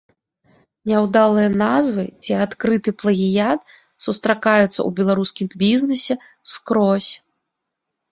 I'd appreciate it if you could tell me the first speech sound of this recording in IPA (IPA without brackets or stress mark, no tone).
nʲ